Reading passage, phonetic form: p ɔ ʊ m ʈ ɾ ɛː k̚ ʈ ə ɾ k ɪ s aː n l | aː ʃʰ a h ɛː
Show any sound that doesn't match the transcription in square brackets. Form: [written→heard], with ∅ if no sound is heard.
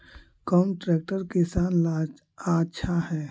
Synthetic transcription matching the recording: [p→k] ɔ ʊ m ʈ ɾ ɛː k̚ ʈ ə ɾ k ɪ s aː n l | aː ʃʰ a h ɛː

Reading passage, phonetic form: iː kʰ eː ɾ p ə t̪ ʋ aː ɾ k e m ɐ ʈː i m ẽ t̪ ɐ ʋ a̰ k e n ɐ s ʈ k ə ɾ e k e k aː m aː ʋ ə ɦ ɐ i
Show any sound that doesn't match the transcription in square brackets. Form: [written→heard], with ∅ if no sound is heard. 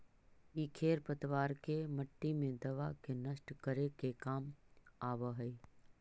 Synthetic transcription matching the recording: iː kʰ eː ɾ p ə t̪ ʋ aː ɾ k e m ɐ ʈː i m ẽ [t̪→d̪] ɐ ʋ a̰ k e n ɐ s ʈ k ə ɾ e k e k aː m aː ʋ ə ɦ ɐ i

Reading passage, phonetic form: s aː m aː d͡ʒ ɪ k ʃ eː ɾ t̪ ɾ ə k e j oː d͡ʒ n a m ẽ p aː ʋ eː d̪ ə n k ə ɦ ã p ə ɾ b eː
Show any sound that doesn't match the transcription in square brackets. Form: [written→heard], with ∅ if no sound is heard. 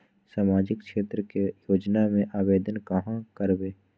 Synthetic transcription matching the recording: s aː m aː d͡ʒ ɪ k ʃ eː [ɾ→∅] t̪ ɾ ə k e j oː d͡ʒ n a m ẽ [p→ʔ] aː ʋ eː d̪ ə n k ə ɦ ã [p→k] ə ɾ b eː

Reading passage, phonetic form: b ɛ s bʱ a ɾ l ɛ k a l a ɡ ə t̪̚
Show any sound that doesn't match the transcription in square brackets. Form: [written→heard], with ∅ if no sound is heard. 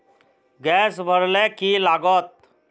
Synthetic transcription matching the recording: [b→ɡ] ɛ s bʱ [a→ə] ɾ l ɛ k [a→i] l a ɡ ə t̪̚

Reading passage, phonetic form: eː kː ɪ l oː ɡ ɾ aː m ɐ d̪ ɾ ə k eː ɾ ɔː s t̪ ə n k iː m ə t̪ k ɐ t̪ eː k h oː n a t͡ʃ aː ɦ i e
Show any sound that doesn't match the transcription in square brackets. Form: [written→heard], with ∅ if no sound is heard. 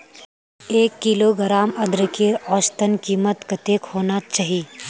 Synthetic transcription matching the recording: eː kː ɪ l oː ɡ ɾ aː m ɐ d̪ ɾ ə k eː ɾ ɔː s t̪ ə n k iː m ə t̪ k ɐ t̪ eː k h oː n a t͡ʃ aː ɦ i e

